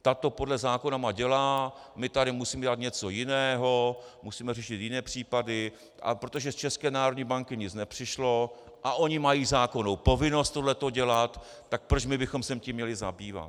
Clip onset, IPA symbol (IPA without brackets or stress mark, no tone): t̪